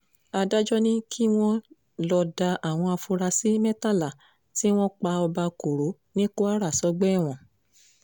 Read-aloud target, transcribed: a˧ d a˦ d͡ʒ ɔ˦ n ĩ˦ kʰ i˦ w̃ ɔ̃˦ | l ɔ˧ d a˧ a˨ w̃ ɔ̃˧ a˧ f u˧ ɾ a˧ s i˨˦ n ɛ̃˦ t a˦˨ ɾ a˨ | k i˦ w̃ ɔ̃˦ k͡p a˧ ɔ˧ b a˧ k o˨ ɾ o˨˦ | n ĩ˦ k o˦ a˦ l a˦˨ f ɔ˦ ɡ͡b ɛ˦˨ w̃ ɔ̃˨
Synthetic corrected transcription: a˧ d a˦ d͡ʒ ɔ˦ n ĩ˦ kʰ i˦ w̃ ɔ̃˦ | l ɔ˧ d a˧ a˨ w̃ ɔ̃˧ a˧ f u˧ ɾ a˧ s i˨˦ m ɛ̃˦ t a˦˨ l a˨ | t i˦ w̃ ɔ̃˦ k͡p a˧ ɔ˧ b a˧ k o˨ ɾ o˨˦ | n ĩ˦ k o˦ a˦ ɾ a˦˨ s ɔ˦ ɡ͡b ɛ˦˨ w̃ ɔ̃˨